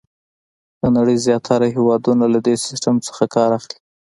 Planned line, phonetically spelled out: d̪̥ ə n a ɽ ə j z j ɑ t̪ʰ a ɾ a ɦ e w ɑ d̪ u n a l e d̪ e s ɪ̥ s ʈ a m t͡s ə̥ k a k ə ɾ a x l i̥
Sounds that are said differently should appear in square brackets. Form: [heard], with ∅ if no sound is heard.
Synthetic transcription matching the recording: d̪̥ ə n a ɽ ə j z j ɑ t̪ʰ a ɾ a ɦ e w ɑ d̪ u n a l [a] d̪ e s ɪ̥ s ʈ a m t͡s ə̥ [x] a k [ɑ] ɾ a x l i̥